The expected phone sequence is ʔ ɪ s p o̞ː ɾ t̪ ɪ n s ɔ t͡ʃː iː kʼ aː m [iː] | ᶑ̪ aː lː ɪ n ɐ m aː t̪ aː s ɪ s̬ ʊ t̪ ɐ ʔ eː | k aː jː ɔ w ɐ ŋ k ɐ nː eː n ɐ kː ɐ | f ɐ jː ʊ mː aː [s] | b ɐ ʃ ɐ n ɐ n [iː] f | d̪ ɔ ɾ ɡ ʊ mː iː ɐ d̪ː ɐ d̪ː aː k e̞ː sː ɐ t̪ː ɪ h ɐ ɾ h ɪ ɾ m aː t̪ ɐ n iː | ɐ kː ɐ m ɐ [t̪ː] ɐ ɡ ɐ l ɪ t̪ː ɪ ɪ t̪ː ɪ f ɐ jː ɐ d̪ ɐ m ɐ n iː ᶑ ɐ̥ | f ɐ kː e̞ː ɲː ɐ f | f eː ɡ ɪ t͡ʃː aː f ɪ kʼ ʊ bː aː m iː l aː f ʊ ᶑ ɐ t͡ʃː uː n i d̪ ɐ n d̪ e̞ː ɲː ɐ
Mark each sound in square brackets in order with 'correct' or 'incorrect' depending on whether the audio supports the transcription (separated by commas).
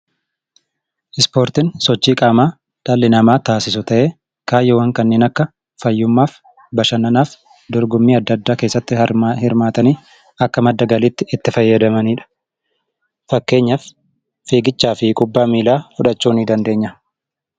incorrect, incorrect, incorrect, incorrect